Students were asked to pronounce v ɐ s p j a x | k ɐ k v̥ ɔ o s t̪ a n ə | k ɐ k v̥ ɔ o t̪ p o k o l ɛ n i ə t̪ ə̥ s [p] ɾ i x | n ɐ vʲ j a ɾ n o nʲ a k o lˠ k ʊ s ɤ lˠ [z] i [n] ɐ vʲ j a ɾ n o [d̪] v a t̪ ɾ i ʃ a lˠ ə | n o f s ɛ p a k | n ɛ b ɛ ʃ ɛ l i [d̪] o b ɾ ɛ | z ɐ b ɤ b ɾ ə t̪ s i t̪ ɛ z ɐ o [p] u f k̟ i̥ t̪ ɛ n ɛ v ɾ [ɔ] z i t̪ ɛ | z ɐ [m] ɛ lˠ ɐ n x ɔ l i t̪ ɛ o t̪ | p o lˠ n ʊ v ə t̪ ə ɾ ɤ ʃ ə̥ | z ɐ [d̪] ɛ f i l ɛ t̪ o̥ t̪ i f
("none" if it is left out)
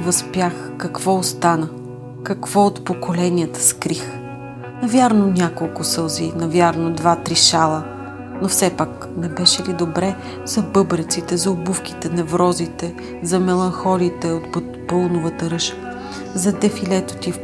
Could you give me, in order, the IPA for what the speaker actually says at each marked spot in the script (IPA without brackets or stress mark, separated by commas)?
k, z, n, d̪, d̪, b, ɔ, m, d̪